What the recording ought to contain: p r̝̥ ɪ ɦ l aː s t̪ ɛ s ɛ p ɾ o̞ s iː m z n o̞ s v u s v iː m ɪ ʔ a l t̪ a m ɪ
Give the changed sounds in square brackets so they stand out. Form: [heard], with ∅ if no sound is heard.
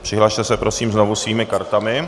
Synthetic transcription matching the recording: p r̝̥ ɪ ɦ l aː [ʃ] t̪ ɛ s ɛ p ɾ o̞ s iː m z n o̞ [∅] v u s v iː m ɪ [k] a [ɾ] t̪ a m ɪ